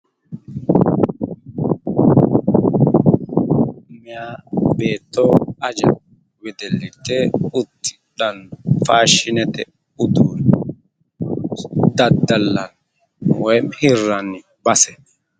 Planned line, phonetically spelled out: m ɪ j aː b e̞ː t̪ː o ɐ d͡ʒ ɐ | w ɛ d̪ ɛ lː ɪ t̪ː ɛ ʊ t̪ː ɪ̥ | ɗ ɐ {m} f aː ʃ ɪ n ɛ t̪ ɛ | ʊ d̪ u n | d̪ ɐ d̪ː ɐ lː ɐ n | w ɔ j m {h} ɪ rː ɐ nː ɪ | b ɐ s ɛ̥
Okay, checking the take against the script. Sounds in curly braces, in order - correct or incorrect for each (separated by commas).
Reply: incorrect, correct